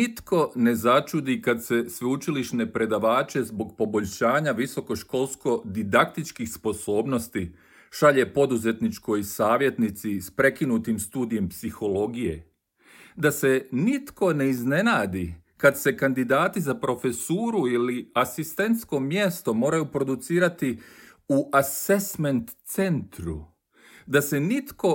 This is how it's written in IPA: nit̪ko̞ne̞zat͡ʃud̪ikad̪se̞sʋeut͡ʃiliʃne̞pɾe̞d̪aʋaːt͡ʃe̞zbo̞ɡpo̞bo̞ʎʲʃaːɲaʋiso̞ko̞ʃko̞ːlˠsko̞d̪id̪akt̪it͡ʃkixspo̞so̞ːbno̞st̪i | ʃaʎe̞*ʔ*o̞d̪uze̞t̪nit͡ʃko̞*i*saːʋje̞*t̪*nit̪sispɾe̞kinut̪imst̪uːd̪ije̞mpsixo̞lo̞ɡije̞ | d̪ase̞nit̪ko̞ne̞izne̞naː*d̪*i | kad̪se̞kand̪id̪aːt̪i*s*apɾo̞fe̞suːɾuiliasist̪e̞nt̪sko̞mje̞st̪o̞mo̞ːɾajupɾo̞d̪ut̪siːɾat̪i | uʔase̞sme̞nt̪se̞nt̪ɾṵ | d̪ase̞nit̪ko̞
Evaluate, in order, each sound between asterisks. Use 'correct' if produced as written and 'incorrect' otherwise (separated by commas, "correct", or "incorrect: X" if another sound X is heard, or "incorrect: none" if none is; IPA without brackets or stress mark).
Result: incorrect: p, incorrect: j, correct, correct, incorrect: z